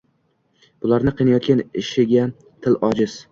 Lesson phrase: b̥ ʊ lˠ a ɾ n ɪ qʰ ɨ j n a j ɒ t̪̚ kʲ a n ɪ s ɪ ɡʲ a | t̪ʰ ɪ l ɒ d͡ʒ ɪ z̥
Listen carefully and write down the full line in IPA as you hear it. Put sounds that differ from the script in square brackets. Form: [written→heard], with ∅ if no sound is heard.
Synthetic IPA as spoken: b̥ ʊ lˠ a ɾ n ɪ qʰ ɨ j n a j ɒ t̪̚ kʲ a n ɪ [s→ʃ] ɪ ɡʲ a | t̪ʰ ɪ l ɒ d͡ʒ ɪ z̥